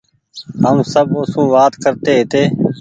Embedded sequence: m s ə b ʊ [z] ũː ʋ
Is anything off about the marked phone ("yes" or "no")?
yes